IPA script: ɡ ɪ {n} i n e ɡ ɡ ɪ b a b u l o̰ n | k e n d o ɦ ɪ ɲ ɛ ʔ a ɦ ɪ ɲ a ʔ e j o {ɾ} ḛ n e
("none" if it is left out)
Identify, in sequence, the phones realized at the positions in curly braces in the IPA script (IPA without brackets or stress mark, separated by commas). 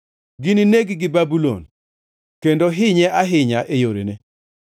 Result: n, ɾ